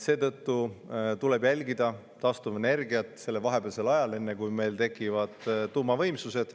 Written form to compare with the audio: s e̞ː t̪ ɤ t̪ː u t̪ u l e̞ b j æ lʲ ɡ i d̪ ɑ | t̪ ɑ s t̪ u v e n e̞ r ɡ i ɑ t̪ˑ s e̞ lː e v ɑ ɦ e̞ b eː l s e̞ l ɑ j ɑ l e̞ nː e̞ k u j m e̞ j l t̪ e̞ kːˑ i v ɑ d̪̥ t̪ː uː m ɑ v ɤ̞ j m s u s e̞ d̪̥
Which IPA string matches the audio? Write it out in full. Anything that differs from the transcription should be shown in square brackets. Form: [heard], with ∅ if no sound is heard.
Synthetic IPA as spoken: s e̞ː t̪ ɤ t̪ː u t̪ u l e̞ b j æ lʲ ɡ i d̪ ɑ | t̪ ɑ s t̪ u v e n e̞ r ɡ i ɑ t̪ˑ s e̞ lː e v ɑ ɦ e̞ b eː l s e̞ l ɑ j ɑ l e̞ nː e̞ k u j m e̞ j l t̪ e̞ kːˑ i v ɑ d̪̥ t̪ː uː m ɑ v ɤ̞ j m s u s e̞ d̪̥